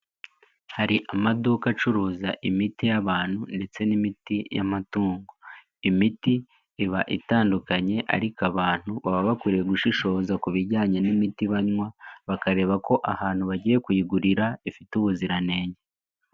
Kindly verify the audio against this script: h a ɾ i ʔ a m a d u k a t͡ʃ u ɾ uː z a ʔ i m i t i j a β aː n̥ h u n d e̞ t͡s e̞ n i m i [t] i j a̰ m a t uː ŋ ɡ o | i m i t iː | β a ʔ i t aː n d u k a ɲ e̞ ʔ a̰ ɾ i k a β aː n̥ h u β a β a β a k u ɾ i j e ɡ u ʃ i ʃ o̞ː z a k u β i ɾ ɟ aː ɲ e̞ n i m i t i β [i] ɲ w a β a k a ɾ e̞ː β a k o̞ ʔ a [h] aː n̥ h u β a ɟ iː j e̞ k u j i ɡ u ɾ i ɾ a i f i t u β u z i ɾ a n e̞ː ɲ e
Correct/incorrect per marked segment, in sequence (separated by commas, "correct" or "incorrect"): correct, incorrect, correct